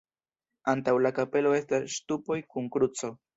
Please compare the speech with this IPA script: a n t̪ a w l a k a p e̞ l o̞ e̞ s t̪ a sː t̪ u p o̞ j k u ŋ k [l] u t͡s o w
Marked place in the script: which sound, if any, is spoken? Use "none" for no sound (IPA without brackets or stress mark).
ɾ